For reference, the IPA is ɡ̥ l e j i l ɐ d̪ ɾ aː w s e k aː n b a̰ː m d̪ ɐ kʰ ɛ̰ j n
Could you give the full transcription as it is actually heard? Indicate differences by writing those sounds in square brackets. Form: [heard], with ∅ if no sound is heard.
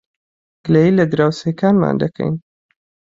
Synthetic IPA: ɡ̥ l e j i l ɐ d̪ ɾ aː w s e k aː n [m] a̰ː [n] d̪ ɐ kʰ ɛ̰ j n